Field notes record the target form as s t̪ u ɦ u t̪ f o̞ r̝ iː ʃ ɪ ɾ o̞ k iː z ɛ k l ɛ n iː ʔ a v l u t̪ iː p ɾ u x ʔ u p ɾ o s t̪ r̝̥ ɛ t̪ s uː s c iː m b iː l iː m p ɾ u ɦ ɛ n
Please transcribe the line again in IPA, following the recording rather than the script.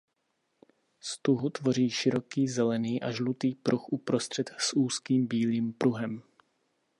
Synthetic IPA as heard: s t̪ u ɦ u t̪ v o̞ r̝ iː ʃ ɪ ɾ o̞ k iː z ɛ l ɛ n iː ʔ a ʒ l u t̪ iː p ɾ u x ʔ u p ɾ o s t̪ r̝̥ ɛ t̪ s uː s k iː m b iː l iː m p ɾ u ɦ ɛ m